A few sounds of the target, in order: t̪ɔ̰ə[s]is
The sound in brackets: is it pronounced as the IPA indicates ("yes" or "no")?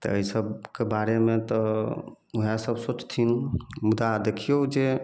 no